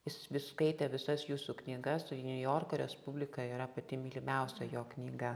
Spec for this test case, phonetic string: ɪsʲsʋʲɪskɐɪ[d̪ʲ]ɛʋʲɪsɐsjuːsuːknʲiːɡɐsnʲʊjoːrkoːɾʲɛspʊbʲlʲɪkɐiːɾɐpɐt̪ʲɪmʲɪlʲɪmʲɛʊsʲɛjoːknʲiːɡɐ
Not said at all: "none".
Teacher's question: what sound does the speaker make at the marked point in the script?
t̪ʲ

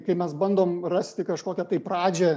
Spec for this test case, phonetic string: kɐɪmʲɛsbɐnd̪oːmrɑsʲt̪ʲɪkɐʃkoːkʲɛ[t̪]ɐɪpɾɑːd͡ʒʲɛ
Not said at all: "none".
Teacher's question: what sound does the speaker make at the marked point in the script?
t̪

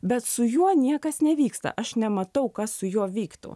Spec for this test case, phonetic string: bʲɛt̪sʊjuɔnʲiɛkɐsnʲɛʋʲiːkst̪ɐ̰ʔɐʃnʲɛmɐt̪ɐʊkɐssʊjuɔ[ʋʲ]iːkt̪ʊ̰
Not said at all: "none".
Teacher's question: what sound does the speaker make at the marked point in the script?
ʋʲ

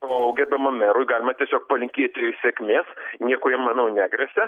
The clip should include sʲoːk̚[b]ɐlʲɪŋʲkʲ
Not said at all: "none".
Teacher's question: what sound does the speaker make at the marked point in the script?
p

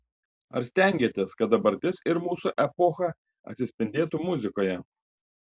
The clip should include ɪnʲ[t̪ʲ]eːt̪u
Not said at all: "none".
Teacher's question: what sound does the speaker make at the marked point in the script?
d̪ʲ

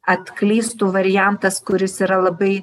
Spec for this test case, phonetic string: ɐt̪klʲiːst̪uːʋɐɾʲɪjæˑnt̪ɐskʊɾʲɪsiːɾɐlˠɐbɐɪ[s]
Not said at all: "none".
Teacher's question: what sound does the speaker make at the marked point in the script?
none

